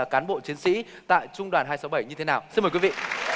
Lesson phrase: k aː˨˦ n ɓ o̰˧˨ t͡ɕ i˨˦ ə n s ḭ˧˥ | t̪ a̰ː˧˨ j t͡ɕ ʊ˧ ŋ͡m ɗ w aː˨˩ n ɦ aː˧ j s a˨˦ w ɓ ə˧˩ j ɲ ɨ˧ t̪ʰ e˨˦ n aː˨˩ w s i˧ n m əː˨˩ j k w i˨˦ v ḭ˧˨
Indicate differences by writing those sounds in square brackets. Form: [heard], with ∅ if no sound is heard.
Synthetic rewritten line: k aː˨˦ n ɓ o̰˧˨ t͡ɕ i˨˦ ə n s ḭ˧˥ | t̪ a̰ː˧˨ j t͡ɕ ʊ˧ ŋ͡m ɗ w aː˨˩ n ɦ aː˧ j s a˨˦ w ɓ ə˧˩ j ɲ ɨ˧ t̪ʰ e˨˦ n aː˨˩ w s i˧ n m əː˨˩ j k w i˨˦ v ḭ˧˨